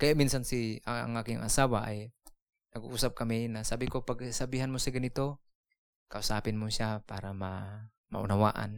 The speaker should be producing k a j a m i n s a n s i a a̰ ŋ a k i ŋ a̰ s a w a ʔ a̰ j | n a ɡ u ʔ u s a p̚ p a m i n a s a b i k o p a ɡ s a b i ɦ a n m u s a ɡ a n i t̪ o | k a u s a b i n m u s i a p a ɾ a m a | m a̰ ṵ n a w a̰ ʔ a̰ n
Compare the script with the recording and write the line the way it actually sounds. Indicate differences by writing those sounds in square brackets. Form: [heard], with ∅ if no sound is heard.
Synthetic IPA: k a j a m i n s a n s i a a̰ ŋ a k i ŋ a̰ s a w a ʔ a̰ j | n a ɡ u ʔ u s a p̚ [k] a m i n a s a b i k o p a ɡ s a b i ɦ a n m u s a ɡ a n i t̪ o | k a u s a [p] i n m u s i a p a ɾ a m a | m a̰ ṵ n a w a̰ ʔ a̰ n